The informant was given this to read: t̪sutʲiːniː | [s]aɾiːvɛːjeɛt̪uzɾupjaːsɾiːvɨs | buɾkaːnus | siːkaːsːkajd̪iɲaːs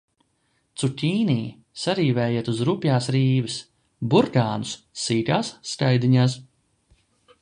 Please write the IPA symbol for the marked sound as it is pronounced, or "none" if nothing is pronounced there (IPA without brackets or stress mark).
s